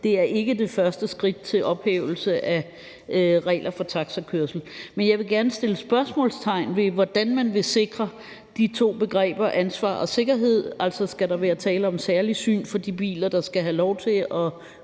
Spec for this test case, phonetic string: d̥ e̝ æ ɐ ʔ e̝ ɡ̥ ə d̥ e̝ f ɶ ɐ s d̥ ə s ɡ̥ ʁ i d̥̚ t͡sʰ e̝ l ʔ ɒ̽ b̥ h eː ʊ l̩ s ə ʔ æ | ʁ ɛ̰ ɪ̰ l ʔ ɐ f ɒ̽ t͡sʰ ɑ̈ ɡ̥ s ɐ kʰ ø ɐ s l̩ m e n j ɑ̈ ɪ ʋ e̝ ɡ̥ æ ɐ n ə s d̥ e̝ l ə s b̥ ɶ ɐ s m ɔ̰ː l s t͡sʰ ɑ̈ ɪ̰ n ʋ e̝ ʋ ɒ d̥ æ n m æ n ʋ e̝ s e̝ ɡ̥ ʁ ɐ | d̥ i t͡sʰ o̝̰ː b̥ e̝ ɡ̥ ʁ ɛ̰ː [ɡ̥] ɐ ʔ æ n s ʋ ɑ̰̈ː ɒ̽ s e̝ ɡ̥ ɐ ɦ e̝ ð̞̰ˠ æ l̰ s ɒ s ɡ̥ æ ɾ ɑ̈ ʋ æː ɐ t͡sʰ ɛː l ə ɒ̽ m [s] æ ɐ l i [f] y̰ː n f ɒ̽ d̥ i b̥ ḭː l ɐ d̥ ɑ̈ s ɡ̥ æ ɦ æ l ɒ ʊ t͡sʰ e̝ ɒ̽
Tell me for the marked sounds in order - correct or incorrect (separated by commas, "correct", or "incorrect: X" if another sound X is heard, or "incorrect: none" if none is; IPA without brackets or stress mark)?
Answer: incorrect: b̥, correct, incorrect: s